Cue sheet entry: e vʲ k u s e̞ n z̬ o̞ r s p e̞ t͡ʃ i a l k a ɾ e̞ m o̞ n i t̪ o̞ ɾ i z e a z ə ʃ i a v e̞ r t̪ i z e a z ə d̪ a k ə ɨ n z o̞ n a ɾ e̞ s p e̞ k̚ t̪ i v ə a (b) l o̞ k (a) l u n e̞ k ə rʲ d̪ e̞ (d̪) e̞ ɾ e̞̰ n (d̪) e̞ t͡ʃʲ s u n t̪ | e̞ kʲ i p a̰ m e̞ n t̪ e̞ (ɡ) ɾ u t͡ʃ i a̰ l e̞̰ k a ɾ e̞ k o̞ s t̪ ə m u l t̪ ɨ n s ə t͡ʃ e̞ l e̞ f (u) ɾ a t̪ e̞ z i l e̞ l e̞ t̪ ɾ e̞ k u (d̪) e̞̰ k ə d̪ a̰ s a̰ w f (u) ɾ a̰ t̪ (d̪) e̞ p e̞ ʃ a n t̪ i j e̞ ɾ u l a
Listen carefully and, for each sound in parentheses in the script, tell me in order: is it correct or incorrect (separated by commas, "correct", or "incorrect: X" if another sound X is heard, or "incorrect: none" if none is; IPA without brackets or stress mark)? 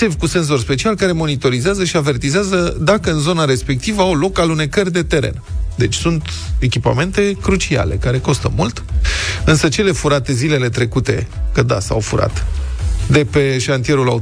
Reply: incorrect: w, correct, incorrect: t̪, correct, incorrect: k, correct, incorrect: t̪, correct, correct